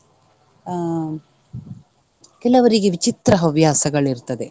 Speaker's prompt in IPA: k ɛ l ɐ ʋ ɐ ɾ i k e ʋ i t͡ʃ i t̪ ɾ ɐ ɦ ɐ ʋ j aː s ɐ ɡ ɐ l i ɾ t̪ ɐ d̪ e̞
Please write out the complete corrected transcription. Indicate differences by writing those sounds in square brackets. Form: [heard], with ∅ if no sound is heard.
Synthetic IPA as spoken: k ɛ l ɐ ʋ ɐ ɾ i [ɡ] e ʋ i t͡ʃ i t̪ ɾ ɐ ɦ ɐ ʋ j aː s ɐ ɡ ɐ [ɭ] i ɾ t̪ ɐ d̪ e̞